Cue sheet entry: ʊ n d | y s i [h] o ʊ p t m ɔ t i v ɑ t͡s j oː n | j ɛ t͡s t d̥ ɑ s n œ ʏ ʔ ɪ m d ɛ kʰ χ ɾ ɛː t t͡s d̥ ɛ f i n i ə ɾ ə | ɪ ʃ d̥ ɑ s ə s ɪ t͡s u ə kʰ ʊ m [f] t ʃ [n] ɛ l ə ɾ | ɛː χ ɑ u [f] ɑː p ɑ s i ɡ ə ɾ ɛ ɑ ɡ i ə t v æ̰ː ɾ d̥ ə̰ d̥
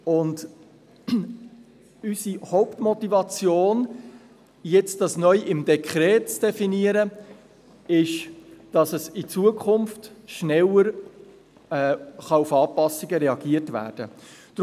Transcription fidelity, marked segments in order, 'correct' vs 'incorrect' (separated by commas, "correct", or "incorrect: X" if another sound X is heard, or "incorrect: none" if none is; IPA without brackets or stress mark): correct, correct, correct, correct